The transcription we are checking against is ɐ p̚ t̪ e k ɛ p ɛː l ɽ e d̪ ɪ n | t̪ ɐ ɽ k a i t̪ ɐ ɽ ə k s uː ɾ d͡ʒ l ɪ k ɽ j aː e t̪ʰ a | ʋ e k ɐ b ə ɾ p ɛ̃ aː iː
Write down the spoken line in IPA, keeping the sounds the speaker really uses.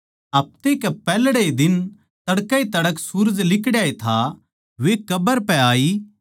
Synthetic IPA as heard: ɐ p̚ t̪ e k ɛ p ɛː l ɽ e d̪ ɪ n | t̪ ɐ ɽ k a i t̪ ɐ ɽ ə k s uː ɾ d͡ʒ l ɪ k ɽ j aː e t̪ʰ a | ʋ e k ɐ b ə ɾ p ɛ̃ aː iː

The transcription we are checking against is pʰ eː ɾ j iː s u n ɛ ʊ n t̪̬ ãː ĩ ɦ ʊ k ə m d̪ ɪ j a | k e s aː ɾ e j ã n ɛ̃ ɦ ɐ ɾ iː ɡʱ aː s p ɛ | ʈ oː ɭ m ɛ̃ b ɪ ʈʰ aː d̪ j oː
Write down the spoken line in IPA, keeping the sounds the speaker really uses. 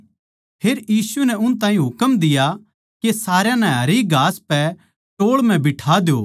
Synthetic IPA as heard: pʰ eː ɾ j iː s u n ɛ ʊ n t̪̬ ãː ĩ ɦ ʊ k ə m d̪ ɪ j a | k e s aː ɾ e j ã n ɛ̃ ɦ ɐ ɾ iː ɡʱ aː s p ɛ | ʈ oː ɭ m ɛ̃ b ɪ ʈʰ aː d̪ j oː

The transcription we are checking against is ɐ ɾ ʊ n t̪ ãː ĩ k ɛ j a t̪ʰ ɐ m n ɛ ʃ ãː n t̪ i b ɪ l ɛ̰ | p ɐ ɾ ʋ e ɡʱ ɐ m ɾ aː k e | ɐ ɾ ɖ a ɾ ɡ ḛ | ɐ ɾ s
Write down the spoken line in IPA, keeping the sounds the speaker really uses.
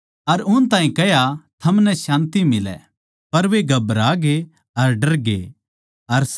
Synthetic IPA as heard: ɐ ɾ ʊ n t̪ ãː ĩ k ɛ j a t̪ʰ ɐ m n ɛ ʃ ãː n t̪ i m ɪ l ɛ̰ | p ɐ ɾ ʋ e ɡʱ ɐ b ɾ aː ɡ e | ɐ ɾ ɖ ɐ ɾ ɡ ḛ | ɐ ɾ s

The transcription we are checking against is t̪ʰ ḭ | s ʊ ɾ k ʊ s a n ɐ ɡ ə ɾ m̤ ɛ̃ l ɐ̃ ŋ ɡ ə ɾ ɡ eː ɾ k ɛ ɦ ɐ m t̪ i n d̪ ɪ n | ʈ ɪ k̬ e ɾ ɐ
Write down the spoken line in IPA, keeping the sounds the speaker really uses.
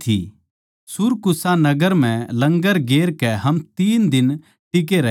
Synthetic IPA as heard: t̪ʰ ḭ | s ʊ ɾ k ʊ s a n ɐ ɡ ə ɾ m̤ ɛ̃ l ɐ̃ ŋ ɡ ə ɾ ɡ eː ɾ k ɛ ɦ ɐ m t̪ iː n d̪ ɪ n | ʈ ɪ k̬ e ɾ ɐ

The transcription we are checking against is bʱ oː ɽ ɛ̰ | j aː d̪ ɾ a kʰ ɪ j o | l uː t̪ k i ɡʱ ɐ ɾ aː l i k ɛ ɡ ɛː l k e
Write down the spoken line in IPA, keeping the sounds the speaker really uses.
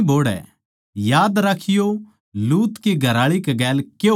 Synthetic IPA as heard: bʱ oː ɽ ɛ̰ | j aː d̪ ɾ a kʰ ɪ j o | l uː t̪ k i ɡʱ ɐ ɾ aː ɭ i k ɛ ɡ ɛː l k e

